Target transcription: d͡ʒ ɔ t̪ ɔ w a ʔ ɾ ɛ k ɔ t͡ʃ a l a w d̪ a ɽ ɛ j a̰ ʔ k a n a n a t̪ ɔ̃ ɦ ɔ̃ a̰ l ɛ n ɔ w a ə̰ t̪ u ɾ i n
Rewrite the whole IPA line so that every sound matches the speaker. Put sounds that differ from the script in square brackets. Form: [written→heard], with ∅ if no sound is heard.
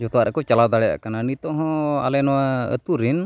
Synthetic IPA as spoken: d͡ʒ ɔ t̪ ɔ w a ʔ ɾ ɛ k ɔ t͡ʃ a l a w d̪ a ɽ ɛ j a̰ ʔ k a n a n [a→i] t̪ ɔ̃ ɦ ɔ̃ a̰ l ɛ n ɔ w a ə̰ t̪ u ɾ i n